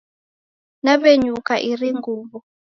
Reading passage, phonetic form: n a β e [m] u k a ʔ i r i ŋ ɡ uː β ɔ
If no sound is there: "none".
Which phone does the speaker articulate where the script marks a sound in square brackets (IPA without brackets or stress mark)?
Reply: ɲ